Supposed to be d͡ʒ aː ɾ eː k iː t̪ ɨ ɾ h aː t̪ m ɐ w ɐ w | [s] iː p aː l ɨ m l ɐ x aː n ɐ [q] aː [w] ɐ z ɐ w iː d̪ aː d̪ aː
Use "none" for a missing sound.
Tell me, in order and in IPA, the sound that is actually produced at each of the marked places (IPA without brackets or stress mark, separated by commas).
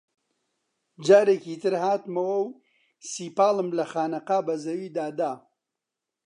s, q, b